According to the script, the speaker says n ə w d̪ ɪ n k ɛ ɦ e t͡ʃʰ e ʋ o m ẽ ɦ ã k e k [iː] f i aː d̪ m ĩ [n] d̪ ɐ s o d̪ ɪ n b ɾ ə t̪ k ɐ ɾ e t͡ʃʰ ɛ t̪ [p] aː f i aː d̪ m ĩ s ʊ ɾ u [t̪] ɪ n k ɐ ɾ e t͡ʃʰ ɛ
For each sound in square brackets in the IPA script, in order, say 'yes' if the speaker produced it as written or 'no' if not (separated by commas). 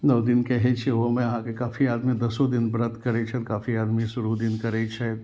no, no, no, no